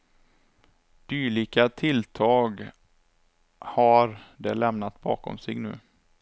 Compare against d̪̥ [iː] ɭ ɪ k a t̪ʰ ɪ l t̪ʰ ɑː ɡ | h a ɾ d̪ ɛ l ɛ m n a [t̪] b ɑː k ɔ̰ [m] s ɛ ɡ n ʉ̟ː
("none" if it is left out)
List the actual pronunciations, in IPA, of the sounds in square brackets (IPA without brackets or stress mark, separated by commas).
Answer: yː, t̪, m